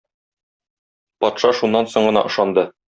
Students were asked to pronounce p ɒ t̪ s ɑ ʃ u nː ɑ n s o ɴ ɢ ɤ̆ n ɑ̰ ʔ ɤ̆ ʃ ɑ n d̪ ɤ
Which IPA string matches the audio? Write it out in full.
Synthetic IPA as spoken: p ɒ t̪ ʃ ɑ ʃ u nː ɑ n s o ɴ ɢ ɤ̆ n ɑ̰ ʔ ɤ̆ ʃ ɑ n d̪ ɤ